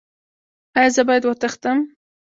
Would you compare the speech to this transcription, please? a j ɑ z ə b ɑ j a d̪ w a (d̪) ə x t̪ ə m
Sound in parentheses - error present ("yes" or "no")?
yes